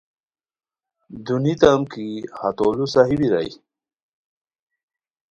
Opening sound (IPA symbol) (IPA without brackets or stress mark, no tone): d̪